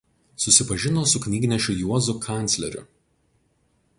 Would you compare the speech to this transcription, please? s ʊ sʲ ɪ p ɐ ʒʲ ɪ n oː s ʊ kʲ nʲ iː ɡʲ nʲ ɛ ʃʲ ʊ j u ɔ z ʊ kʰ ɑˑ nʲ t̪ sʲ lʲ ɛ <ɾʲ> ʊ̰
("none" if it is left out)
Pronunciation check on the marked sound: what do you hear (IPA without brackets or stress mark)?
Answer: ɾʲ